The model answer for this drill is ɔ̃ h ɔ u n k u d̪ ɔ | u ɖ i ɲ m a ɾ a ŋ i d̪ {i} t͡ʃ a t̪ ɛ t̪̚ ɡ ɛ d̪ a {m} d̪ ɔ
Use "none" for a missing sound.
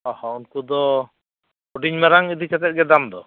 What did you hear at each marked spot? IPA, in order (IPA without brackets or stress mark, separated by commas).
i, m